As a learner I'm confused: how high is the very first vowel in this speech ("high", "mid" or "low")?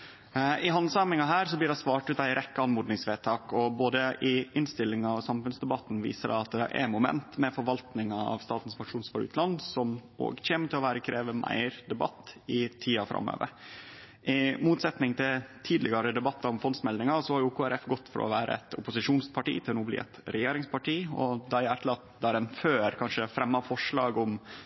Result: high